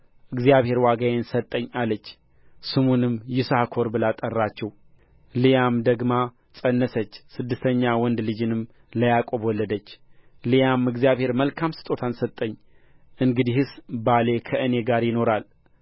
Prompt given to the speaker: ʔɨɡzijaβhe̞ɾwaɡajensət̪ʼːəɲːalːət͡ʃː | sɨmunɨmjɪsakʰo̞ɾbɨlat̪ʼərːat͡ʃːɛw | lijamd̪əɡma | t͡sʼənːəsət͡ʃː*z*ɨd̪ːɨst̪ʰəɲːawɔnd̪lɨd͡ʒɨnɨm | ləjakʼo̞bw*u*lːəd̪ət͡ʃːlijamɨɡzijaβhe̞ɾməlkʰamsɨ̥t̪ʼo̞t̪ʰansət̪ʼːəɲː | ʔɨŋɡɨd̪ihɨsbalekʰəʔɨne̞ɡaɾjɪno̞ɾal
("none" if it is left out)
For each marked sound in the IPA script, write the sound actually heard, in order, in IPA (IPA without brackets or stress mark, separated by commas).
s, ɔ